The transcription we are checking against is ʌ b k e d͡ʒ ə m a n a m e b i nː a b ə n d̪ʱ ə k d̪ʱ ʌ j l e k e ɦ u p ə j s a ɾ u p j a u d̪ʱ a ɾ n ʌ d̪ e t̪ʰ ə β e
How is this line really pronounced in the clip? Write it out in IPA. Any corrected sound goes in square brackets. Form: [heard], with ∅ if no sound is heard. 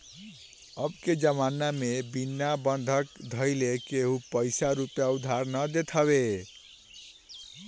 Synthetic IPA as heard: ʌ b k e d͡ʒ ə m a n a m e b i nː a b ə n d̪ʱ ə k d̪ʱ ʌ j l e k e ɦ u p ə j s a ɾ u p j a u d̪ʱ a ɾ n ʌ d̪ e t̪ʰ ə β e